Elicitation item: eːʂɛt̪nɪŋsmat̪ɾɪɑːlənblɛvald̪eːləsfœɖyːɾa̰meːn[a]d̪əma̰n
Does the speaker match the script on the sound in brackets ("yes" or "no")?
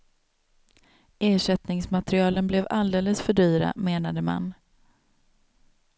yes